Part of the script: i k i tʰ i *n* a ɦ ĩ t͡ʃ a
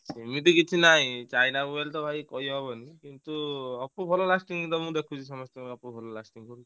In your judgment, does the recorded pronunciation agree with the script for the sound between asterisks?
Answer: yes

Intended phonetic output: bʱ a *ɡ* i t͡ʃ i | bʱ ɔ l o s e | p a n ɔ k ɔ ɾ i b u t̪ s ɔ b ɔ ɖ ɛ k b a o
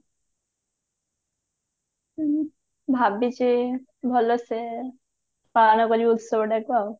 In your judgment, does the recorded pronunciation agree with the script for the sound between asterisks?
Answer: no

